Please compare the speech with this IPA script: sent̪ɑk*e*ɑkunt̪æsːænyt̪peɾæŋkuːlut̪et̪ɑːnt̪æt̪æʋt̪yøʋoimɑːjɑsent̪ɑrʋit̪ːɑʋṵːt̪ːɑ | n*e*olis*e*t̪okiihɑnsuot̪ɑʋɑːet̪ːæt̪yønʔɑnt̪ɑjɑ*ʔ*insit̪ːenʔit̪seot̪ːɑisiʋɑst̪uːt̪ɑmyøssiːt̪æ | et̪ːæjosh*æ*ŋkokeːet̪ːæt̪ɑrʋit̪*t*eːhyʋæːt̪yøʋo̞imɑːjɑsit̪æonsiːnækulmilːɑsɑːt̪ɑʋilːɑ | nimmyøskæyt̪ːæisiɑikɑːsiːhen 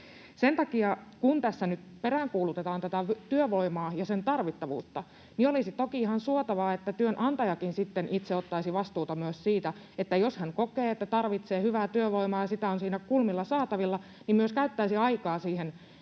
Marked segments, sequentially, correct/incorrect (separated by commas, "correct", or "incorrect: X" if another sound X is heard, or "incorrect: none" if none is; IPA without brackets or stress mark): incorrect: i, incorrect: i, incorrect: i, incorrect: k, correct, incorrect: s